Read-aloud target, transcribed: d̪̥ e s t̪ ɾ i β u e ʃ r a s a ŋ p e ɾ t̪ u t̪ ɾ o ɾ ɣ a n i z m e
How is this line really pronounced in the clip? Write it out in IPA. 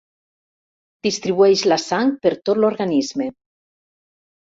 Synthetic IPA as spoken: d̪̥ i s t̪ ɾ i β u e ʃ l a s a ŋ p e ɾ t̪ o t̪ l o ɾ ɣ a n i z m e